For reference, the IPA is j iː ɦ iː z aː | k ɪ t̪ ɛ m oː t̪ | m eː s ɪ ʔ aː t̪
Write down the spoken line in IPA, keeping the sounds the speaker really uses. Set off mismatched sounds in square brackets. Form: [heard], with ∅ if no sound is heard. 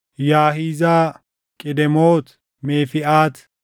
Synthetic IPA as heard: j [aː] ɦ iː z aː | [kʼ] ɪ [d̪] ɛ m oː t̪ | m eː [f] ɪ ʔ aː t̪